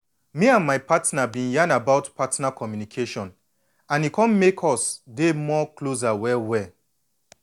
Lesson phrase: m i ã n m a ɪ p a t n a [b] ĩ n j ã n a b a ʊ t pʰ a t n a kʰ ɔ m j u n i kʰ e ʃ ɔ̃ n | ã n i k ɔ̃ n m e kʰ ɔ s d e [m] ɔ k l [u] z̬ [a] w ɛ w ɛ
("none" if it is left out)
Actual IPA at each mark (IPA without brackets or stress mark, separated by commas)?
b, m, o, a